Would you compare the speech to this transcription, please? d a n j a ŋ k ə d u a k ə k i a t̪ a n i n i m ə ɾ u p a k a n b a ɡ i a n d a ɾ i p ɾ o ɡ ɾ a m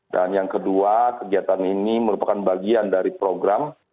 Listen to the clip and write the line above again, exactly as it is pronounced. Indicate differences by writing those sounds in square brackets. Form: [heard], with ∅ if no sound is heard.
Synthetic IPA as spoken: d a n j a ŋ k ə d u a k ə [ɡ] i a t̪ a n i n i m ə ɾ u p a k a n b a ɡ i a n d a ɾ i p ɾ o ɡ ɾ a m